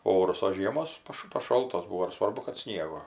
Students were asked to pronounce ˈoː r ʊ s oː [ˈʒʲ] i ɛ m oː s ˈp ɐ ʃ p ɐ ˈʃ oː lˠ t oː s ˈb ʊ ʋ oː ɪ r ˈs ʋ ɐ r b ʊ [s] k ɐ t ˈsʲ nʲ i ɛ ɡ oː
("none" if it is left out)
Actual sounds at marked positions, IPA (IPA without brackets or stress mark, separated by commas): ʒʲ, none